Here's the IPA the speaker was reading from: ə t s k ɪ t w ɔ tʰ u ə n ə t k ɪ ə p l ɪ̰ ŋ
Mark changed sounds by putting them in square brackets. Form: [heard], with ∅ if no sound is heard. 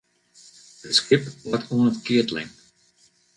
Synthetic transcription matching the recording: ə t s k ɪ [p] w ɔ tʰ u ə n ə t k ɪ ə [t] l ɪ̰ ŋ